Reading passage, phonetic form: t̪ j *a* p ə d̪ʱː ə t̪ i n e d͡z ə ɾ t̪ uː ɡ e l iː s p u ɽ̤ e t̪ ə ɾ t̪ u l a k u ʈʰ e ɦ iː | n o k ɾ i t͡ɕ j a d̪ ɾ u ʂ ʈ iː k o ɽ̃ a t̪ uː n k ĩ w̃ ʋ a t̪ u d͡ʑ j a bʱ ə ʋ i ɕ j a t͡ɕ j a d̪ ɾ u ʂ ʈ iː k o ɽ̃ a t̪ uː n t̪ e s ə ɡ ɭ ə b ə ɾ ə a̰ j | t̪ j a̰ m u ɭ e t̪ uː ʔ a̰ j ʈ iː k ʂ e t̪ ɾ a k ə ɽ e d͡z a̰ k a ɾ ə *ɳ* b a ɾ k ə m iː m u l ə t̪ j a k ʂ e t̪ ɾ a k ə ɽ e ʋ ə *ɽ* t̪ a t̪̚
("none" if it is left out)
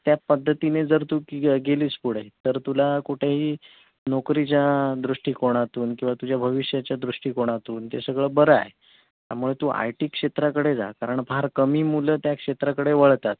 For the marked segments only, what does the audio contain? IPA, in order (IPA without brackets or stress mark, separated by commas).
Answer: a, ɳ, ɭ